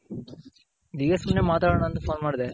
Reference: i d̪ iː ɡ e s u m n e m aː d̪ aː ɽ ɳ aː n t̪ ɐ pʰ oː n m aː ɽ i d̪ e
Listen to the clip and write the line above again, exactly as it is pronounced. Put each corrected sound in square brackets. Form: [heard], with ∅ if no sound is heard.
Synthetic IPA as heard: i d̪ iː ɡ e s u m n e m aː [t̪] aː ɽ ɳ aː n t̪ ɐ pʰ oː n m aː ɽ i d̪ e

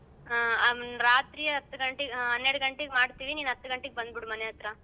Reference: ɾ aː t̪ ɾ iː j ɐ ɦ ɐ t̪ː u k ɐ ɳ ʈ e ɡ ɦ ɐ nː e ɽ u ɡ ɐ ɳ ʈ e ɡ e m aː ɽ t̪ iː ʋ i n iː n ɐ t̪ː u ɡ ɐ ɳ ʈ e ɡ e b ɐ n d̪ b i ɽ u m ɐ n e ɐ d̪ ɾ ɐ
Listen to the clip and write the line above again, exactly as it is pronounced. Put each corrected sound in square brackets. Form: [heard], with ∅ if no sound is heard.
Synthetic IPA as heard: ɾ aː t̪ ɾ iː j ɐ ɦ ɐ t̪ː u [ɡ] ɐ ɳ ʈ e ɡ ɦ ɐ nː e ɽ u ɡ ɐ ɳ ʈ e ɡ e m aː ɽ t̪ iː ʋ i n iː n ɐ t̪ː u ɡ ɐ ɳ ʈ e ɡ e b ɐ n d̪ b i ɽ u m ɐ n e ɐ [t̪] ɾ ɐ

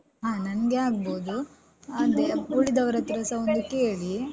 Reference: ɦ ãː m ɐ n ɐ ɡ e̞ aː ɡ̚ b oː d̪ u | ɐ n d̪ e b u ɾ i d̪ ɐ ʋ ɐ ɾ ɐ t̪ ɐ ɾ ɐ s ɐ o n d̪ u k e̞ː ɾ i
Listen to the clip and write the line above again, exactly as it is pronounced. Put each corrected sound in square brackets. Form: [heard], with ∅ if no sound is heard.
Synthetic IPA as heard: ɦ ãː [n] ɐ n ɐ ɡ e̞ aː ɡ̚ b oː d̪ u | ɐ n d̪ e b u [ɭ] i d̪ ɐ ʋ ɐ ɾ ɐ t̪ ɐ ɾ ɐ s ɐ o n d̪ u k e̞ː [ɭ] i

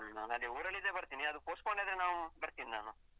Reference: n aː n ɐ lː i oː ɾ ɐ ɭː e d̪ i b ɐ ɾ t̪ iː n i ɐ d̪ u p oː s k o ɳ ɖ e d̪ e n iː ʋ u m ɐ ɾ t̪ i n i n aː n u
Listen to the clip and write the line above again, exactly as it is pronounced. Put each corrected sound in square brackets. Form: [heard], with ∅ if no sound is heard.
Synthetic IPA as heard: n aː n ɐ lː i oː ɾ ɐ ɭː [i] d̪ [e] b ɐ ɾ t̪ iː n i ɐ d̪ u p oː s k o ɳ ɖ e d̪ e n [aː] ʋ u [b] ɐ ɾ t̪ i n i n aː n u

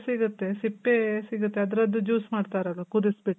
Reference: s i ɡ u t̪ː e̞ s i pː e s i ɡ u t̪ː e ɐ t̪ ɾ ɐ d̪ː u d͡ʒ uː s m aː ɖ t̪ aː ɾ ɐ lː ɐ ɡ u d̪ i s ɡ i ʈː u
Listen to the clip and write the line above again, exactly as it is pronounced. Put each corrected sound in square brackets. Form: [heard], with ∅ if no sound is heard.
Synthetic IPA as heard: s i ɡ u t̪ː e̞ s i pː e s i ɡ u t̪ː e ɐ [d̪] ɾ ɐ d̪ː u d͡ʒ uː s m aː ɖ t̪ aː ɾ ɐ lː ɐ [k] u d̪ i s [b] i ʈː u

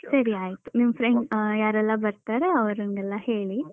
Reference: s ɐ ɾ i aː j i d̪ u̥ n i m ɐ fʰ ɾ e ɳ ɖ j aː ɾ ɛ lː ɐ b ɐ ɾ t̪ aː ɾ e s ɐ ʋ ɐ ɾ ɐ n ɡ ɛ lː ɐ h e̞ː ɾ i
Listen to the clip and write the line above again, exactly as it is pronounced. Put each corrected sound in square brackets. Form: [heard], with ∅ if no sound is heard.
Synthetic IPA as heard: s ɐ ɾ i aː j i [t̪] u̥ n i m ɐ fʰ ɾ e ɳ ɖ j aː ɾ ɛ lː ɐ b ɐ ɾ t̪ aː ɾ e [∅] ɐ ʋ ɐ ɾ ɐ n ɡ ɛ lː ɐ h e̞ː [ɭ] i

